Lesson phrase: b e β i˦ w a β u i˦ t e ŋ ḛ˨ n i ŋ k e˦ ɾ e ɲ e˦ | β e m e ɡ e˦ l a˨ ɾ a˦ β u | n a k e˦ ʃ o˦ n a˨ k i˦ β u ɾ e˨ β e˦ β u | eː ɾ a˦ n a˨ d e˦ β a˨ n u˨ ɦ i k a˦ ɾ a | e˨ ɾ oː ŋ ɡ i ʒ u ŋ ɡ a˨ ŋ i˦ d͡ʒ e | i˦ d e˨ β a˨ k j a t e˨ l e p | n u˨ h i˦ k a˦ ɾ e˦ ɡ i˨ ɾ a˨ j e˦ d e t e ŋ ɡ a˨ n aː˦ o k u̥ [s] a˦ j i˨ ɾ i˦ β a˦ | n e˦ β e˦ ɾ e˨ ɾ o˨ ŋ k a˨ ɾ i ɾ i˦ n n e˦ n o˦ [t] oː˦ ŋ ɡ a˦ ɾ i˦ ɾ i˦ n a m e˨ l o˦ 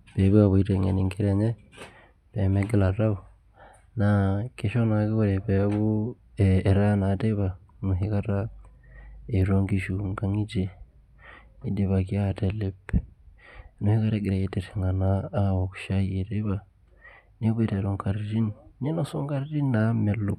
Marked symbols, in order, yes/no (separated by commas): no, no